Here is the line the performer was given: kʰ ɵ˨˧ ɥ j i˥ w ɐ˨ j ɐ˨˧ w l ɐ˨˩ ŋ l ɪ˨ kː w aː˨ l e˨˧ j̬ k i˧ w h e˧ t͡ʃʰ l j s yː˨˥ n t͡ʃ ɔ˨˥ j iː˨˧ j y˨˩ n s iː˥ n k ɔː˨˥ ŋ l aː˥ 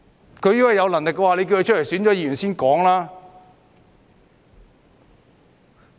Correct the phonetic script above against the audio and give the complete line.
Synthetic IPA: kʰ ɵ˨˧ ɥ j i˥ w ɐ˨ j ɐ˨˧ w l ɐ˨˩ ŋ l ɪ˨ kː w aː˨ l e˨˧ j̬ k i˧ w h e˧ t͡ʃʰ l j s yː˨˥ n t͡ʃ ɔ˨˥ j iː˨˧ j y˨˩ n s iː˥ n k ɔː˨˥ ŋ l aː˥